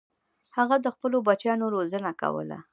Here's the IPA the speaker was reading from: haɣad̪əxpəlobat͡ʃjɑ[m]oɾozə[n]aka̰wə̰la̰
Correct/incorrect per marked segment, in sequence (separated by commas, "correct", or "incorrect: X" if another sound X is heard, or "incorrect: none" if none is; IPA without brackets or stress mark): incorrect: n, correct